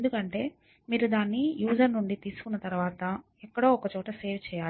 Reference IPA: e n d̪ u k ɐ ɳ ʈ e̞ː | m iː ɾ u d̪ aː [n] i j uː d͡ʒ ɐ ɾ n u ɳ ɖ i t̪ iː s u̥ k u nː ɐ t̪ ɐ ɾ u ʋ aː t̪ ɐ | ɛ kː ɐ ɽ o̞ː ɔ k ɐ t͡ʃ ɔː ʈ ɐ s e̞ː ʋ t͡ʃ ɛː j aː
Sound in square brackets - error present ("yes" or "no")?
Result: yes